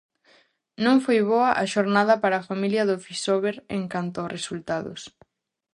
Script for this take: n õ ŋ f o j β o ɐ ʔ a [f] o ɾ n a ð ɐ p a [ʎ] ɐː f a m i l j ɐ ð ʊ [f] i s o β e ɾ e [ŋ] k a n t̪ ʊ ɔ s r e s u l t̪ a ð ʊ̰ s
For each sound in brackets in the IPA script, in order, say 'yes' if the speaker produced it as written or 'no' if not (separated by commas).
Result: no, no, yes, yes